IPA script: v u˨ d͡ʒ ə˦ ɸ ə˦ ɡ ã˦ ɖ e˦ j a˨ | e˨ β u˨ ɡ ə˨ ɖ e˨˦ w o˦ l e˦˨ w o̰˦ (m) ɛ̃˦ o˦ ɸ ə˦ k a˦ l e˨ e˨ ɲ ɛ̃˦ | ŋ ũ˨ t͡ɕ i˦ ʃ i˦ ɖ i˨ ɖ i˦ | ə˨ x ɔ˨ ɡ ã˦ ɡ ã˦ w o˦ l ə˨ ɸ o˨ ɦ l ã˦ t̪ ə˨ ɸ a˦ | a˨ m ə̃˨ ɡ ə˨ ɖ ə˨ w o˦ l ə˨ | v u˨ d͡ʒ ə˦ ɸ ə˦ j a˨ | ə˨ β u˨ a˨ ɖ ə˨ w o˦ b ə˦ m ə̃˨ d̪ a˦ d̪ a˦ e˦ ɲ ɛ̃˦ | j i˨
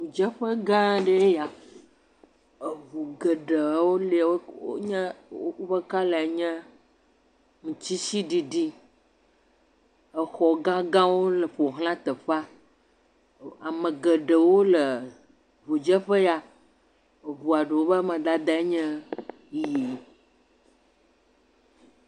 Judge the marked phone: incorrect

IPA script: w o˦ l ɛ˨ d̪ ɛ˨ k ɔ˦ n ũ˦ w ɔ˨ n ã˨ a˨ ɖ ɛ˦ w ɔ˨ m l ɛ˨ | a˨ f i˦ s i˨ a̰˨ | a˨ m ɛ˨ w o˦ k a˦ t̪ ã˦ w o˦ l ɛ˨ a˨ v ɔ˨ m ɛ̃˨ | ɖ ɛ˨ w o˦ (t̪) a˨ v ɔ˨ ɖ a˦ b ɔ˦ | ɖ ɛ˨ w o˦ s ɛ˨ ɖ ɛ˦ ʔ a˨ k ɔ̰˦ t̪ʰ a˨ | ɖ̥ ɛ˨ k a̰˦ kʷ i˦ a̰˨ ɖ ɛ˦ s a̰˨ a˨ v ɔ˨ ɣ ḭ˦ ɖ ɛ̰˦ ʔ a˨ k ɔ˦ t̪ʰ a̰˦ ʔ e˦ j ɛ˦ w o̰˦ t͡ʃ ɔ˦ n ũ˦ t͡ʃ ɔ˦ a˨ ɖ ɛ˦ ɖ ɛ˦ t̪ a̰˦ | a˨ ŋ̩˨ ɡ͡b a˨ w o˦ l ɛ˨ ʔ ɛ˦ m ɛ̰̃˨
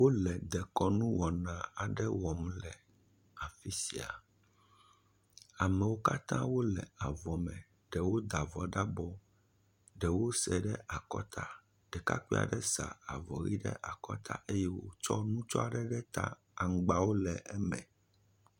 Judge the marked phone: incorrect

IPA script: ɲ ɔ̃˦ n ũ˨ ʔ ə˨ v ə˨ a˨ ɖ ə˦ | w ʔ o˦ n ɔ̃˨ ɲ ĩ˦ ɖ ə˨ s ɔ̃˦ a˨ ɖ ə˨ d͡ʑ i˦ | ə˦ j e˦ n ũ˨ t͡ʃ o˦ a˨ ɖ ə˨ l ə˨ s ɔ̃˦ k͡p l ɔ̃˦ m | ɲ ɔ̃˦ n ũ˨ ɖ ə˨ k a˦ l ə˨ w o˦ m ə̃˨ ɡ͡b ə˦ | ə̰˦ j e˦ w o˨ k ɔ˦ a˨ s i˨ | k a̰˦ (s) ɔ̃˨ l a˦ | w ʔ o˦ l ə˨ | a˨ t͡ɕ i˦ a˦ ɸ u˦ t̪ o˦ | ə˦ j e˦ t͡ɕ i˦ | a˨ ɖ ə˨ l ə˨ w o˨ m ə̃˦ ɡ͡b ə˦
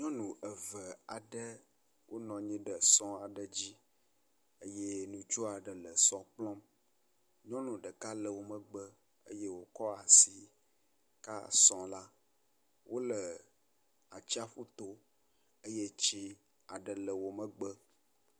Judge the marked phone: correct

